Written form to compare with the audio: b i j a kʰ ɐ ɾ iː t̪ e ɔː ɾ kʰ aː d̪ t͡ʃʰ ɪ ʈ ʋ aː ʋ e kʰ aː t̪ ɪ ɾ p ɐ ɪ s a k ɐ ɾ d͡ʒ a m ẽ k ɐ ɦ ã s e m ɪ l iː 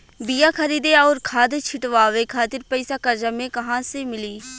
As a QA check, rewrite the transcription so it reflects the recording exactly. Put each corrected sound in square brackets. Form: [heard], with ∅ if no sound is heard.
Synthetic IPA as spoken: b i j a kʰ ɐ ɾ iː [d̪] e ɔː ɾ kʰ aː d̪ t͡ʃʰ ɪ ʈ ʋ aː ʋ e kʰ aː t̪ ɪ ɾ p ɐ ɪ s a k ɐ ɾ d͡ʒ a m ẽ k ɐ ɦ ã s e m ɪ l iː